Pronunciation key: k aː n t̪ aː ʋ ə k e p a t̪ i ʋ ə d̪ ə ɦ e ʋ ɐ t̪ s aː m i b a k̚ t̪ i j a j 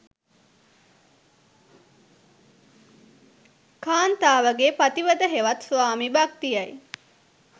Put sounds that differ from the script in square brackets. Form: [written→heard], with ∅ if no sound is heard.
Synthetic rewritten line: k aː n t̪ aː ʋ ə [k→ɡ] e p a t̪ i ʋ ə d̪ ə ɦ e ʋ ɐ t̪ s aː m i b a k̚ t̪ i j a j

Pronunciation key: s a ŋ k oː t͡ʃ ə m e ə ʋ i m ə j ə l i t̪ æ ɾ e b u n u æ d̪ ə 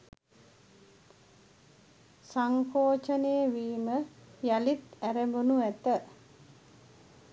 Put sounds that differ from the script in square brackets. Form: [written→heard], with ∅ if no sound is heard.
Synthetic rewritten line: s a ŋ k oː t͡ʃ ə [m→n] e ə ʋ [i→iː] m ə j [ə→a] l i t̪ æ ɾ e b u n u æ [d̪→t̪] ə

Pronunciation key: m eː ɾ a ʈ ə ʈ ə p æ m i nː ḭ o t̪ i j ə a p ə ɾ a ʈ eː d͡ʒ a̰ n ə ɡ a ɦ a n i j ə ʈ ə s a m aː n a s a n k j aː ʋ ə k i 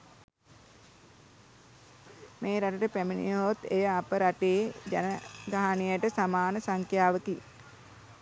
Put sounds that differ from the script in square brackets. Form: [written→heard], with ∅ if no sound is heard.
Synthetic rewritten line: m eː ɾ a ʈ ə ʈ ə p æ m i [nː→n] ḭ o t̪ [i→e] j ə a p ə ɾ a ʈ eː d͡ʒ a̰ n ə ɡ a ɦ a n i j ə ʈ ə s a m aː n [a→ə] s a [n→ŋ] k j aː ʋ ə k i

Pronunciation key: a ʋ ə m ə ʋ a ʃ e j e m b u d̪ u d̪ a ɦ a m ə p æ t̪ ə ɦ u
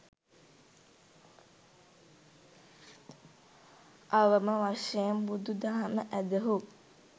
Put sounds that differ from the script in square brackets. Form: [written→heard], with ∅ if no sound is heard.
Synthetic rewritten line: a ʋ ə m ə ʋ a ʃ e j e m b u d̪ u d̪ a ɦ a m ə [p→ʔ] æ [t̪→d̪] ə ɦ u

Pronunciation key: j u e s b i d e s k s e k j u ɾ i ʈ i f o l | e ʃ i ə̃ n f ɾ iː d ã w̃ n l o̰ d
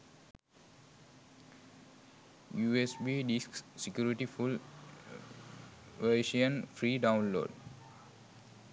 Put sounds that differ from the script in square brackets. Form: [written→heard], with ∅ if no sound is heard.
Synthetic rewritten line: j u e s b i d [e→i] s k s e k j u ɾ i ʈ i f [o→u] l | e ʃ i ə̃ n f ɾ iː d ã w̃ n l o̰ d

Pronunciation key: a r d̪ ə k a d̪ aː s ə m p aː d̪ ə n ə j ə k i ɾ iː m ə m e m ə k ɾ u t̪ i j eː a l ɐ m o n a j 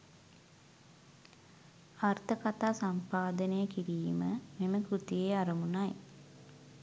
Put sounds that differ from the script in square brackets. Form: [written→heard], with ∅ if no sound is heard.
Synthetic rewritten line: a r [d̪→t̪] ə k a [d̪→t̪] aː s [ə→a] m p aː d̪ ə n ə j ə k i ɾ iː m ə m e m ə k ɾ u t̪ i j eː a [l→ɾ] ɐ m [o→u] n a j

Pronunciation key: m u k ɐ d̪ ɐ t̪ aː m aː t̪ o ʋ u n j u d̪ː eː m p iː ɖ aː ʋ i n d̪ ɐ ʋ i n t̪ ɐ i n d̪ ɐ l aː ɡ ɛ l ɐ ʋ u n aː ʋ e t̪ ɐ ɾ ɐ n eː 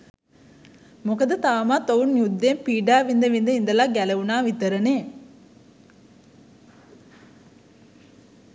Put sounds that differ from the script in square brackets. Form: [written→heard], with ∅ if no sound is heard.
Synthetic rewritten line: m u k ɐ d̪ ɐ t̪ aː m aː t̪ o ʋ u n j u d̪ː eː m p iː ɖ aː ʋ i n d̪ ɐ ʋ i n [t̪→d̪] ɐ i n d̪ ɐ l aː ɡ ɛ l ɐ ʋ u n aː ʋ [e→i] t̪ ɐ ɾ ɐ n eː

